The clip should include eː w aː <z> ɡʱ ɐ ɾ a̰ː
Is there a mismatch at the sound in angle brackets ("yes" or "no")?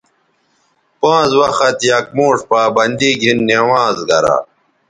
no